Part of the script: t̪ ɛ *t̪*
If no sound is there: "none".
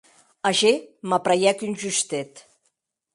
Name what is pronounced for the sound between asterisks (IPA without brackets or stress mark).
t̪